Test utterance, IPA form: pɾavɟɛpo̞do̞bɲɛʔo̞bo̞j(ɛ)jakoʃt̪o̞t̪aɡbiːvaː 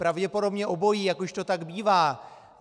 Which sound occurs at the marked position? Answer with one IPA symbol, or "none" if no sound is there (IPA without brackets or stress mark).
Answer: i